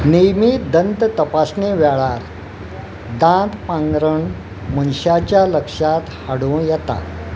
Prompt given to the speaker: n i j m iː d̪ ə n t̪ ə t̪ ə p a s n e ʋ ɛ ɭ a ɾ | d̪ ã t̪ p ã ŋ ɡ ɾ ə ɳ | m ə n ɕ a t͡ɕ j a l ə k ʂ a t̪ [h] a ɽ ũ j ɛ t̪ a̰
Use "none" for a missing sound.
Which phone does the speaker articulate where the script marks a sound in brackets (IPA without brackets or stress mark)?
h